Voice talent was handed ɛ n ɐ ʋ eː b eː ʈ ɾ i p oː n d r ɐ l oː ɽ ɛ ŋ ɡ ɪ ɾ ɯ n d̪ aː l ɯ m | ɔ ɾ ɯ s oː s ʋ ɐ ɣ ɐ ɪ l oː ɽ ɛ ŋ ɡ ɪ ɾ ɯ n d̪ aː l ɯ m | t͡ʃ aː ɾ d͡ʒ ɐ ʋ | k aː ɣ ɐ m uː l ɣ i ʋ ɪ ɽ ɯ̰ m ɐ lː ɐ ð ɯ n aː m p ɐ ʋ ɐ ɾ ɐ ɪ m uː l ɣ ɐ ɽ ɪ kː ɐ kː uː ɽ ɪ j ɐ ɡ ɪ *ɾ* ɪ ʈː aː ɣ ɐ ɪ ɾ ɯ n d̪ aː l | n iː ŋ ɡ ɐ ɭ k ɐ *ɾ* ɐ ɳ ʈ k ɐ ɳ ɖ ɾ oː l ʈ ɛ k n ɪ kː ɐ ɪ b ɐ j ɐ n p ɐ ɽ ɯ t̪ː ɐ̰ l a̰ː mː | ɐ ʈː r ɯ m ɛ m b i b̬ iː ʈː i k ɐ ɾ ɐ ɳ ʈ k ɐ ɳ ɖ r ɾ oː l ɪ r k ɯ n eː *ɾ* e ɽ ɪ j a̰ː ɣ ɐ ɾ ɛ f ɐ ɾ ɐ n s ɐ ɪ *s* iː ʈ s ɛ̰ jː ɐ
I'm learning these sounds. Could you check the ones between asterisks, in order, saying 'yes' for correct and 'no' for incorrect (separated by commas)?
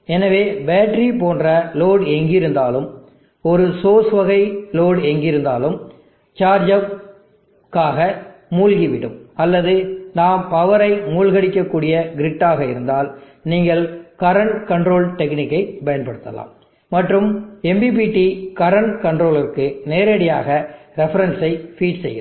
yes, yes, yes, no